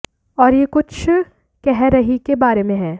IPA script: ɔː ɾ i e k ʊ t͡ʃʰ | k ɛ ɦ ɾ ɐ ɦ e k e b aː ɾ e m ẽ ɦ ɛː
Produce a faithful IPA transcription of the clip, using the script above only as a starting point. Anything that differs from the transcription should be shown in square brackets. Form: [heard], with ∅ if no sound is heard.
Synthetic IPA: ɔː ɾ [j] e k ʊ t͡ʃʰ | k ɛ ɦ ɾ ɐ ɦ [i] k e b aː ɾ e m ẽ ɦ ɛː